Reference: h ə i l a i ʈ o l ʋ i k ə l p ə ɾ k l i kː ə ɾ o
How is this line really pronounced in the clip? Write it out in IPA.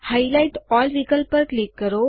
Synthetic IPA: h a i l a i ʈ ɔ l ʋ i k ə l p ə ɾ k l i kː ə ɾ o